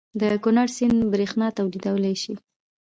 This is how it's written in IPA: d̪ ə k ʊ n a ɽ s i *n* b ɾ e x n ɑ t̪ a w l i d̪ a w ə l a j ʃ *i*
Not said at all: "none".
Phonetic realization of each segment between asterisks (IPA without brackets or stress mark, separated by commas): n, i